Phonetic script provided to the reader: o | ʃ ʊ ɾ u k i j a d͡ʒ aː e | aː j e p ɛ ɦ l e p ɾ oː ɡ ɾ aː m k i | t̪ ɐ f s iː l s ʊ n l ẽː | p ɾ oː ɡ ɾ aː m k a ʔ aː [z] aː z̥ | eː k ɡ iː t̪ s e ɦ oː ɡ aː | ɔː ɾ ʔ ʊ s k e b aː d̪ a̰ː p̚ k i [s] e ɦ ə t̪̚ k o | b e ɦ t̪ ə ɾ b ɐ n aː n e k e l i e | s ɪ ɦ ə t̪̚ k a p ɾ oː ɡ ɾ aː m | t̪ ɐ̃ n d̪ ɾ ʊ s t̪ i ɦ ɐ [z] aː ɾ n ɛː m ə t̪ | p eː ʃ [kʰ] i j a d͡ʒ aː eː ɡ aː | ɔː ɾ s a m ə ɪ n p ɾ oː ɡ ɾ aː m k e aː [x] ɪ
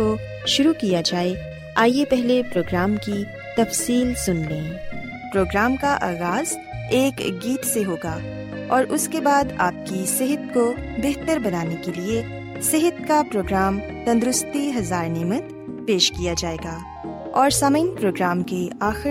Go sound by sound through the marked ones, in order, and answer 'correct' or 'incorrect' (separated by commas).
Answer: incorrect, correct, correct, incorrect, correct